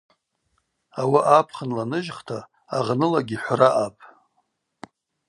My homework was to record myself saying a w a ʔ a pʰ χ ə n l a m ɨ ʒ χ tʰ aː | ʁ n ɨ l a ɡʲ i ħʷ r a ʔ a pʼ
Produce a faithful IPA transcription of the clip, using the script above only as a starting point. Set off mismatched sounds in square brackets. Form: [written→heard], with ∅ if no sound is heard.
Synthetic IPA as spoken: a w a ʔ a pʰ χ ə n l a [m→n] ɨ ʒ χ tʰ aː | ʁ n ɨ l a ɡʲ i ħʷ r a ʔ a pʼ